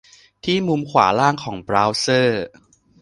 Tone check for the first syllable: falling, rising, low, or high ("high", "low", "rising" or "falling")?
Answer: falling